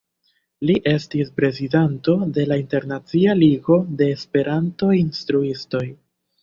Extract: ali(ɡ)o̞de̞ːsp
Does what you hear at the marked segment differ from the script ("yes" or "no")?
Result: no